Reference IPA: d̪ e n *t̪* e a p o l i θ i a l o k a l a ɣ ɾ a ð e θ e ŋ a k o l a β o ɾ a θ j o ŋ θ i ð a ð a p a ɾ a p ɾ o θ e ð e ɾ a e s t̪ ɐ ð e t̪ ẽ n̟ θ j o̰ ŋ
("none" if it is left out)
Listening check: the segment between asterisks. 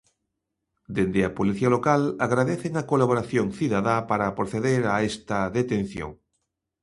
d̪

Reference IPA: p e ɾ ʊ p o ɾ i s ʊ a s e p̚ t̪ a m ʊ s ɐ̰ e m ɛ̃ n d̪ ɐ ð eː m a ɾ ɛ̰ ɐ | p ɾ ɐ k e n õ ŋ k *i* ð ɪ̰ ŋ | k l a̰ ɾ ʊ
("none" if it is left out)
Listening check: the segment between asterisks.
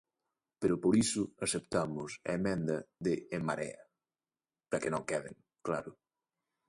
ɛ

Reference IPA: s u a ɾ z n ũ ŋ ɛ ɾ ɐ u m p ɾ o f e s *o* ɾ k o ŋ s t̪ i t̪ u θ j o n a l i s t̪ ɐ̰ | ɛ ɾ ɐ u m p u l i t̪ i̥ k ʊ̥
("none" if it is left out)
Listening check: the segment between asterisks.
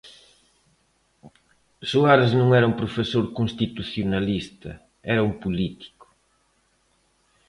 o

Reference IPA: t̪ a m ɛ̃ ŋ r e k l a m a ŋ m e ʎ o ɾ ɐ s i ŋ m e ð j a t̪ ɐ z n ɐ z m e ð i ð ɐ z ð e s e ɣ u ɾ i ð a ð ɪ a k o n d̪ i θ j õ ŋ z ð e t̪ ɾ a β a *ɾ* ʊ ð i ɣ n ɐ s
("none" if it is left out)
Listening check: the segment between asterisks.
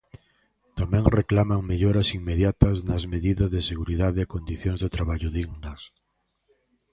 ʎ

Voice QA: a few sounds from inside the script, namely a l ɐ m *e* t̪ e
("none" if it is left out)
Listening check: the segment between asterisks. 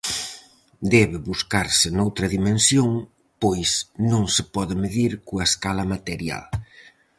a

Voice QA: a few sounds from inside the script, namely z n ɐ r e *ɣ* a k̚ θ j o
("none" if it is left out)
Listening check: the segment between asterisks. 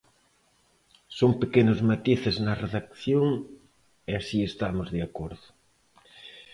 ð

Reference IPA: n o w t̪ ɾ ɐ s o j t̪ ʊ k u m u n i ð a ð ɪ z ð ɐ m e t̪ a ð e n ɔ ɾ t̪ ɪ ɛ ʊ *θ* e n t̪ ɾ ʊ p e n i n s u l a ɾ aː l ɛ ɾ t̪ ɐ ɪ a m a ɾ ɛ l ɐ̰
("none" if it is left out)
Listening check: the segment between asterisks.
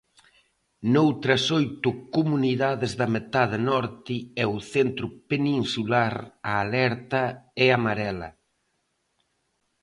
θ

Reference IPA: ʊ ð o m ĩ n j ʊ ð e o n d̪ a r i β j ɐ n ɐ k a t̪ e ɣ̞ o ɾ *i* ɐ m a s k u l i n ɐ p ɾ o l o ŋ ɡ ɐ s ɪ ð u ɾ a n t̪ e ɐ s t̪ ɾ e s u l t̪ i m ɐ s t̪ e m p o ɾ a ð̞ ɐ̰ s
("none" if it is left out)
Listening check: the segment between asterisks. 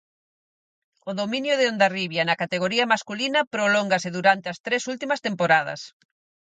i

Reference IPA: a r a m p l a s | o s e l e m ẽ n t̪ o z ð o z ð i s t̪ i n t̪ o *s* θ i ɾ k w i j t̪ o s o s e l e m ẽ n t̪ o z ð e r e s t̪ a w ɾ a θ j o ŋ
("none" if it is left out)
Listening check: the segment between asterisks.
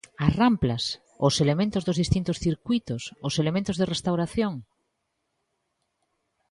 s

